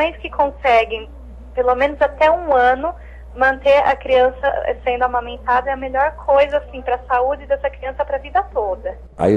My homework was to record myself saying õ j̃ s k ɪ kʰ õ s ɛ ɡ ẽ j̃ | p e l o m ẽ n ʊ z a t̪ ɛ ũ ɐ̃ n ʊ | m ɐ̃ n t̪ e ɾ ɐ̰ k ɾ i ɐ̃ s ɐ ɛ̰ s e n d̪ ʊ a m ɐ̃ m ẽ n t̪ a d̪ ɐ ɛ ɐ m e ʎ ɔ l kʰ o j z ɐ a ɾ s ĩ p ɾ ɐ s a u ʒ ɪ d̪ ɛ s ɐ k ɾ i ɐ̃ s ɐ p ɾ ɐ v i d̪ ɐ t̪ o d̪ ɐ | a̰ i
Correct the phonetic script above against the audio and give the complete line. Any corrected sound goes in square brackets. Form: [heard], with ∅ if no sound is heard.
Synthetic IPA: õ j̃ s k ɪ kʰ õ s ɛ ɡ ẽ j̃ | p e l o m ẽ n ʊ z a t̪ ɛ ũ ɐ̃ n ʊ | m ɐ̃ n t̪ e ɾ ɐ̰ k ɾ i ɐ̃ s ɐ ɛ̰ s [ẽ] n d̪ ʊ a m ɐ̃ m ẽ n t̪ a d̪ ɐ ɛ ɐ m e ʎ ɔ [ɾ] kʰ o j z ɐ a [∅] s ĩ p ɾ ɐ s a u [d͡ʒ] ɪ d̪ ɛ s ɐ k ɾ i ɐ̃ s ɐ p ɾ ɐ v i d̪ ɐ t̪ o d̪ ɐ | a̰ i